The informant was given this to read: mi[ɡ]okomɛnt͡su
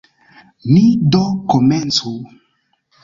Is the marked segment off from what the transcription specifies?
yes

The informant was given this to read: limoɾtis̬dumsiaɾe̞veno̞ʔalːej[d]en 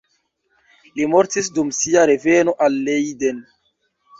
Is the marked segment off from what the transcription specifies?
no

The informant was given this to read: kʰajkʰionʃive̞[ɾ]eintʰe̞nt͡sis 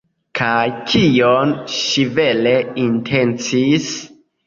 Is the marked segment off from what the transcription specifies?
yes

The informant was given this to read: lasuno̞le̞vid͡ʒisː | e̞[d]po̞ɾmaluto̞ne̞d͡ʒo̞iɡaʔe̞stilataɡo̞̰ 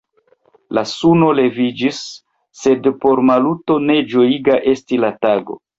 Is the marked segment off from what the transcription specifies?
no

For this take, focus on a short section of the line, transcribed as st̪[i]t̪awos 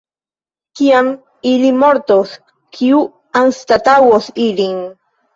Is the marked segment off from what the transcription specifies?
yes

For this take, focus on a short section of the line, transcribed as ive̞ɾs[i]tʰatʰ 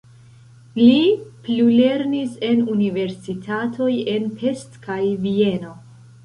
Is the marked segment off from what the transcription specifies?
no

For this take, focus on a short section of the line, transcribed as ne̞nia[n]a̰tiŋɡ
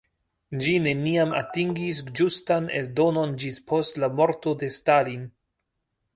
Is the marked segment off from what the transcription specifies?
yes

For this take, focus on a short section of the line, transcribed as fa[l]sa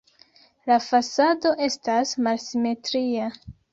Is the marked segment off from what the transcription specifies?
yes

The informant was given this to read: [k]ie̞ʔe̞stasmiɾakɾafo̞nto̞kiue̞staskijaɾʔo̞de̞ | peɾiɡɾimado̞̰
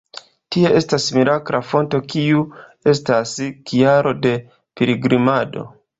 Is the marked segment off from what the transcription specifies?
yes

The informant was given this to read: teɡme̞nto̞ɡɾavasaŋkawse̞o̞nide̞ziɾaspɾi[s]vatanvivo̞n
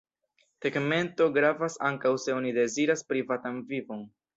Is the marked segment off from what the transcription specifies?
yes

